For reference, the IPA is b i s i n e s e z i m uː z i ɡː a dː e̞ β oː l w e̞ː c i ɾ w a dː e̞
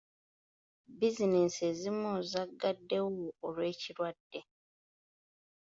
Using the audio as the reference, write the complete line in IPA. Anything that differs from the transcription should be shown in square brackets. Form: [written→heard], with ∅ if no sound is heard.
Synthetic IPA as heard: b i [s→z] i n e s e z i m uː z [i→a] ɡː a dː e̞ [β→w] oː l w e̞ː c i ɾ w a dː e̞